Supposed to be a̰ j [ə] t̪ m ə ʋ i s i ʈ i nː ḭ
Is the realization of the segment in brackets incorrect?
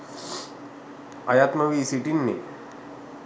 yes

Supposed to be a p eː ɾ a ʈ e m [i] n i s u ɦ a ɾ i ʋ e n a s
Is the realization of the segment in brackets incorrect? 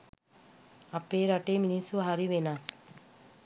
no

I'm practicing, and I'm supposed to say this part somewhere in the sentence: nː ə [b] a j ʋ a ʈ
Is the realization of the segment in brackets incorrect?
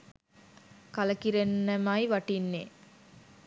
yes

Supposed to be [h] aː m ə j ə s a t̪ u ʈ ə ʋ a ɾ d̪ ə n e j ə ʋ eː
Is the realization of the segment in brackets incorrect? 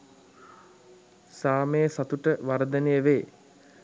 yes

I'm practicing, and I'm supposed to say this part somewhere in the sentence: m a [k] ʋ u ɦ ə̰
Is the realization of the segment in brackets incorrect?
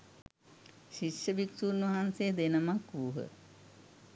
no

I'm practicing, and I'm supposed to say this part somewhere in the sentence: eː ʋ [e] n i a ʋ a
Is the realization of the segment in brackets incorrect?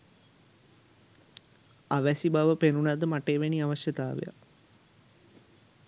no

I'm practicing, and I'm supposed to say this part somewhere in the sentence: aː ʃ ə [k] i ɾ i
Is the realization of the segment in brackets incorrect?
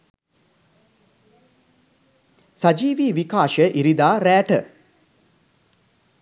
yes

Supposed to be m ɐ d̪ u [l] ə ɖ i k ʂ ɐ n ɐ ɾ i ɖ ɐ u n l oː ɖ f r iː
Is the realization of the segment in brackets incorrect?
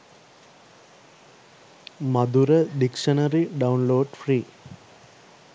yes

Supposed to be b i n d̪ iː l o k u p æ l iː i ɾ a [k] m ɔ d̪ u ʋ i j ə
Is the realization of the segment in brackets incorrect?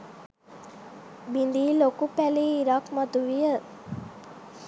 no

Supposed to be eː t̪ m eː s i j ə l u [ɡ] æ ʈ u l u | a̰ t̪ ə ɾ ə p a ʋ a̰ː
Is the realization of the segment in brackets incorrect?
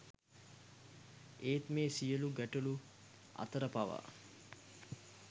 no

